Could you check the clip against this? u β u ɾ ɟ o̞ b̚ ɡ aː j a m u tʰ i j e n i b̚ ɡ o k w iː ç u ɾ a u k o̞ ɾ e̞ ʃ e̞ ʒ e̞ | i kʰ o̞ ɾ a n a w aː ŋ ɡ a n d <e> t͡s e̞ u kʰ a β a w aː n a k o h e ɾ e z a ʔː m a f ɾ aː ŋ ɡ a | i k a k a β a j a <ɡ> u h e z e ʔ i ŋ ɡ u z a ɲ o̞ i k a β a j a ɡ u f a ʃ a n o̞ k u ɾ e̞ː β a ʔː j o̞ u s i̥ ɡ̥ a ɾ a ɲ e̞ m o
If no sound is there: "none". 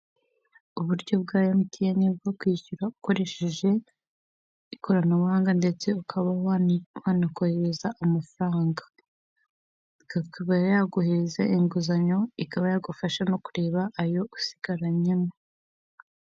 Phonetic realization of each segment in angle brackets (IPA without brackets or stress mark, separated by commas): e, ɡ